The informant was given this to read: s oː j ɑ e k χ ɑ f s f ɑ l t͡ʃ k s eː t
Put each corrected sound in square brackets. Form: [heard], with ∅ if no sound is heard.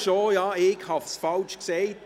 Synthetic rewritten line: [ʃ] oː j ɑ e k [h] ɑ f s f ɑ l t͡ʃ k s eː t